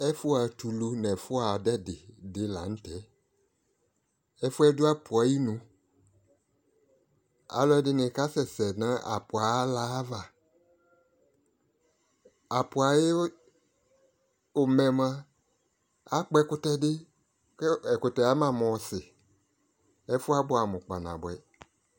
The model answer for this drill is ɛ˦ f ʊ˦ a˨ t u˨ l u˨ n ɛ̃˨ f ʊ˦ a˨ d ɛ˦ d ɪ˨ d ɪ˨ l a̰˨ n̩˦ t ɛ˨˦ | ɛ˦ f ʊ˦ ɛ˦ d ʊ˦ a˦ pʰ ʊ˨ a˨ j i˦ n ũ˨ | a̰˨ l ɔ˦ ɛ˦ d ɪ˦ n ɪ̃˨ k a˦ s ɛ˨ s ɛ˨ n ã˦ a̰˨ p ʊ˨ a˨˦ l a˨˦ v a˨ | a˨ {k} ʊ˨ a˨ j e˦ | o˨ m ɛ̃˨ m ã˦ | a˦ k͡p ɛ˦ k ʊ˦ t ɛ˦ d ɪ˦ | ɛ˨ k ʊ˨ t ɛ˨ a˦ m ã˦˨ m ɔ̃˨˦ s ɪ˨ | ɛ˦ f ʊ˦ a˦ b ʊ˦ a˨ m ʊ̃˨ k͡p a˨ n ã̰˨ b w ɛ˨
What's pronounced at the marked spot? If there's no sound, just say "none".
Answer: p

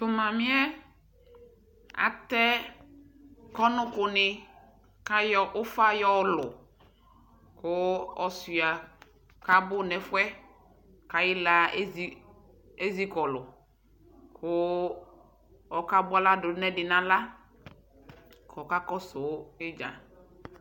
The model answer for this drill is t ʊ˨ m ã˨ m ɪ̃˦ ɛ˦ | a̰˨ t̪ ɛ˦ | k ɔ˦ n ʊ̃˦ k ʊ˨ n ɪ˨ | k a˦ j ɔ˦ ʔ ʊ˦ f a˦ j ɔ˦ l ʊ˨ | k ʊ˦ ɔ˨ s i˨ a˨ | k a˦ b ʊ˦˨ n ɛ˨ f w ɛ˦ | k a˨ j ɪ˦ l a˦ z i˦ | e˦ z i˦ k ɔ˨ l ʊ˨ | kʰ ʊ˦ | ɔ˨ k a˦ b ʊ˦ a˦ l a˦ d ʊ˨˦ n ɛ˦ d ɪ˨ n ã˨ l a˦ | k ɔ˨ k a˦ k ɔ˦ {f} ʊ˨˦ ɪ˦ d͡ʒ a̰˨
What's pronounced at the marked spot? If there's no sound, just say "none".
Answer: s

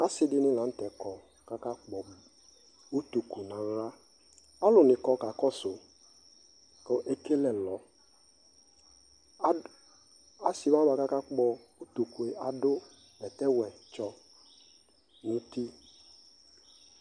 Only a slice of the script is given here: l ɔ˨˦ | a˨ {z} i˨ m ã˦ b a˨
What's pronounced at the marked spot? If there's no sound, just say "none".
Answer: s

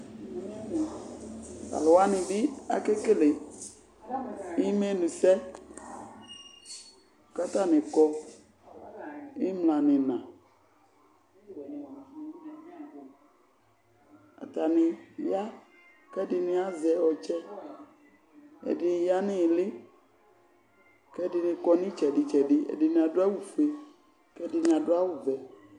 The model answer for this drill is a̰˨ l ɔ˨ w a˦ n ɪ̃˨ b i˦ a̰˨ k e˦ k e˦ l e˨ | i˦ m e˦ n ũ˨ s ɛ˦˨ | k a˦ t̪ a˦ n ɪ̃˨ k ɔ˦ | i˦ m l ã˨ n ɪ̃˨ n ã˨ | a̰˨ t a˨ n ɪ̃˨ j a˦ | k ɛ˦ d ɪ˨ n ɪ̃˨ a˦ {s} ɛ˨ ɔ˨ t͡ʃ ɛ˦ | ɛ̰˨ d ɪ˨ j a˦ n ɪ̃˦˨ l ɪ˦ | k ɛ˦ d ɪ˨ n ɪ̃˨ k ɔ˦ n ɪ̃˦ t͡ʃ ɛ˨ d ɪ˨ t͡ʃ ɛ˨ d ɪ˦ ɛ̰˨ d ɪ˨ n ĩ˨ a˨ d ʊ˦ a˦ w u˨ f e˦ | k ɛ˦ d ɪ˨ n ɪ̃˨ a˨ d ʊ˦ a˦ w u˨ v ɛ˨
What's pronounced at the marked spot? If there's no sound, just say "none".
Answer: z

